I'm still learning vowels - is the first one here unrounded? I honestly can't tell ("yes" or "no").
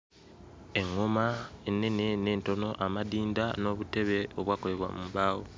yes